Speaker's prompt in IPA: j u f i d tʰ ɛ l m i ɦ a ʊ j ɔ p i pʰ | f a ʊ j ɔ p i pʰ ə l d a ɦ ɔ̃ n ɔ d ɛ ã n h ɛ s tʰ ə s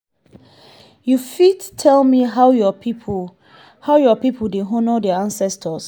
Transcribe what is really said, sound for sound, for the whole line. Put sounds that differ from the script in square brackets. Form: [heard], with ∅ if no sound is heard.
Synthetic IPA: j u f i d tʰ ɛ l m i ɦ a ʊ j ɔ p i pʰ | [h] a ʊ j ɔ p i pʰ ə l d [e] ɦ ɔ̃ n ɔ d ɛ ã n [s] ɛ s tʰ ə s